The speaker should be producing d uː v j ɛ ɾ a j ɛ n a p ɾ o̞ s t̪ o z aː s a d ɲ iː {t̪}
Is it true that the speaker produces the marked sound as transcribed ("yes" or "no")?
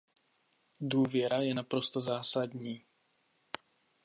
no